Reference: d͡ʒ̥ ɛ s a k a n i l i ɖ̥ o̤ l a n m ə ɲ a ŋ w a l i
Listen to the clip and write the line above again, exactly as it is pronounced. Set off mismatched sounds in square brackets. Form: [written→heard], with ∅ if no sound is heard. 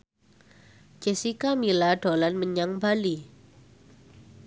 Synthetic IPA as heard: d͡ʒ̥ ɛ s [a→i] k a [n→m] i l [i→a] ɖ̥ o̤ l a n m ə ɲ a ŋ [w→b] a l i